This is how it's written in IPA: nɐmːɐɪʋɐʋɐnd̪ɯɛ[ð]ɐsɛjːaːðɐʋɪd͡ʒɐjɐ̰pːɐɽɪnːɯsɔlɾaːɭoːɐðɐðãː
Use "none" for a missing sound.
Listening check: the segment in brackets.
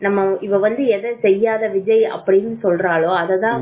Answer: ð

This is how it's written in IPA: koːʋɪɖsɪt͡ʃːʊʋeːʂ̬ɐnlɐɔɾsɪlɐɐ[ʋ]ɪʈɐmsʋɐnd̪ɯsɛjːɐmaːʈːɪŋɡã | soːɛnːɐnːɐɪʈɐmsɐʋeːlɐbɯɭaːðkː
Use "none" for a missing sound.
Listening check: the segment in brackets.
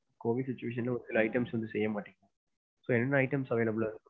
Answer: none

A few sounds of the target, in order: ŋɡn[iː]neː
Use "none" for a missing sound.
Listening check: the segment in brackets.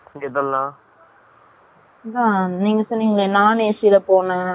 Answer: aː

